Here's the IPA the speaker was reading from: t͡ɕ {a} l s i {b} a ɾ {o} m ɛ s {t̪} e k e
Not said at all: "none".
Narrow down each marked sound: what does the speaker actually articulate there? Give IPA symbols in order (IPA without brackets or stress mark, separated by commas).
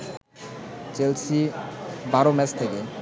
e, b, o, t̪ʰ